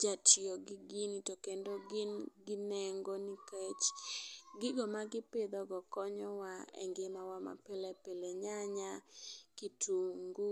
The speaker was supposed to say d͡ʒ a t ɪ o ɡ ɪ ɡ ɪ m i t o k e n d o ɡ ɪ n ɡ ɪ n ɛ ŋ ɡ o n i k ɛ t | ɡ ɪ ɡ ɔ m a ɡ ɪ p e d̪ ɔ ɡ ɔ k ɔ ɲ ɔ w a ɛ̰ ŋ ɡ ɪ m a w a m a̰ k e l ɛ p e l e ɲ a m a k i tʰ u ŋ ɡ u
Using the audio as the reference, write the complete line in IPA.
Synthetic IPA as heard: d͡ʒ a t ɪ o ɡ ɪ ɡ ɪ n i t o k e n d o ɡ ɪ n ɡ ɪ n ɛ ŋ ɡ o n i k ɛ t͡ʃ | ɡ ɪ ɡ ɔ m a ɡ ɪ p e d̪ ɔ ɡ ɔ k ɔ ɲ ɔ w a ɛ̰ ŋ ɡ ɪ m a w a m a̰ p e l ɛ p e l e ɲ a ɲ a k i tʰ u ŋ ɡ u